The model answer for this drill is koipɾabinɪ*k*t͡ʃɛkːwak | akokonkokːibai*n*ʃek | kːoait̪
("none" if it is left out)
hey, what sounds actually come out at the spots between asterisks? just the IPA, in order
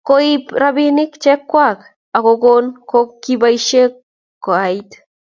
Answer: k, none

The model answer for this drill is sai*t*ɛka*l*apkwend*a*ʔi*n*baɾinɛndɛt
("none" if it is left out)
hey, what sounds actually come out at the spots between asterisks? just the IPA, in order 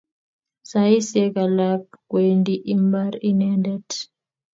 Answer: s, l, i, m

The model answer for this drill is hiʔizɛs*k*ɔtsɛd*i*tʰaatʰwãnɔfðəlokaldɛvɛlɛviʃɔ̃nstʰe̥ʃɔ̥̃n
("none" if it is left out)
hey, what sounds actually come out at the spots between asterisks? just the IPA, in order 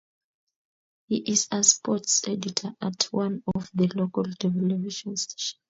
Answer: p, i

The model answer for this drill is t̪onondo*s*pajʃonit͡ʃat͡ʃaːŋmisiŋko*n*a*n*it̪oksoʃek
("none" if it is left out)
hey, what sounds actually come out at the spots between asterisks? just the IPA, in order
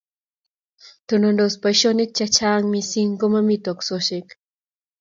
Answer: s, m, m

